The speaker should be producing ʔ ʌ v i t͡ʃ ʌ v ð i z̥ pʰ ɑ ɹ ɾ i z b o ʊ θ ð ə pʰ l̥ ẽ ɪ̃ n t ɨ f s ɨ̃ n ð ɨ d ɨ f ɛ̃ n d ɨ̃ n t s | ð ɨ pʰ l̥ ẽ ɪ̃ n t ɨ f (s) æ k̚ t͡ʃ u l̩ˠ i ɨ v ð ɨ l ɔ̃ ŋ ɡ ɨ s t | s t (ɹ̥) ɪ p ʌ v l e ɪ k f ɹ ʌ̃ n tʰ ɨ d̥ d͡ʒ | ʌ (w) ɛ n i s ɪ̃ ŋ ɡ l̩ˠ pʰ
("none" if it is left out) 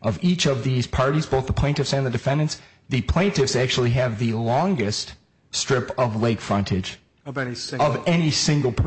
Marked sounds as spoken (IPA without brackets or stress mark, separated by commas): s, ɹ̥, v